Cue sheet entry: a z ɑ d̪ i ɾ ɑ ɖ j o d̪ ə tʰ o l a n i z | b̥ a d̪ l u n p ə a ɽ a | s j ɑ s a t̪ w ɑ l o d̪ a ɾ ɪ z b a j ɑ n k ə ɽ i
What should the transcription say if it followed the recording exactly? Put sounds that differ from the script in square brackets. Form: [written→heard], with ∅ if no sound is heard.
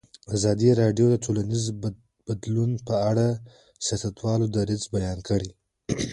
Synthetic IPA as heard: a z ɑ d̪ i ɾ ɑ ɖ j o d̪ ə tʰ o l a n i z | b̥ a d̪ l u n p ə a ɽ a | s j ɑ s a t̪ w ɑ l o d̪ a ɾ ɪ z b a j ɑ n k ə ɽ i